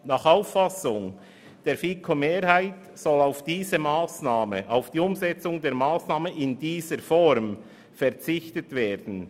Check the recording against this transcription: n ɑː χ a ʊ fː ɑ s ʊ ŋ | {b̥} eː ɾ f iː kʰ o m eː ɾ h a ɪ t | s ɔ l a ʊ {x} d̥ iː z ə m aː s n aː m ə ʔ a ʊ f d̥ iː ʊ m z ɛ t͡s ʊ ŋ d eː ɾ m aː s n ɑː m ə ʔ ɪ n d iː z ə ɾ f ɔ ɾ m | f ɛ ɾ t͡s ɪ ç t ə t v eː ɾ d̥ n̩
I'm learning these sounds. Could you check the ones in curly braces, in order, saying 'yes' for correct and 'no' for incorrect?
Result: no, no

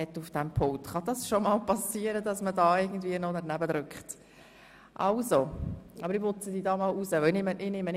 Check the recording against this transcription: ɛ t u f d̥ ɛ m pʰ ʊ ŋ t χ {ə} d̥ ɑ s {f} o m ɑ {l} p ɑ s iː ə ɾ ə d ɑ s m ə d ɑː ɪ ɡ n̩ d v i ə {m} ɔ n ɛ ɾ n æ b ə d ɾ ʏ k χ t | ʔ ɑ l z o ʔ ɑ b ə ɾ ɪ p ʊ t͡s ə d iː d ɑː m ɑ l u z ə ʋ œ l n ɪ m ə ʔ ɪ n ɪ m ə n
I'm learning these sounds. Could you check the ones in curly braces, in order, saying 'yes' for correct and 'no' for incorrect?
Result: no, no, yes, no

